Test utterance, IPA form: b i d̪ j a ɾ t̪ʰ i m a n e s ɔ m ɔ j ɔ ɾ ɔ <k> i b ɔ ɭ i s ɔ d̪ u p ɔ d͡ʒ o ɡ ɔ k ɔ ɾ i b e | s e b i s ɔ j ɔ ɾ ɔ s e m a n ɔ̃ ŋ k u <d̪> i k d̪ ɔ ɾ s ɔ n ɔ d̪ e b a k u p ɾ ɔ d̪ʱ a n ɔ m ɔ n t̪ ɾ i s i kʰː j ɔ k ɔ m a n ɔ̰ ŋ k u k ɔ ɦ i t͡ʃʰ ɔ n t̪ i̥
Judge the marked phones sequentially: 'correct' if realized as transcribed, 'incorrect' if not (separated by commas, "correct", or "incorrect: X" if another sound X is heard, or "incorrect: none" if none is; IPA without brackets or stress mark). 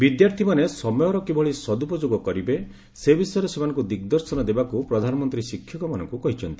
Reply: correct, correct